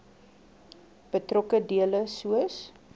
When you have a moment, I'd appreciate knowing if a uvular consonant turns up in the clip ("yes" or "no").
no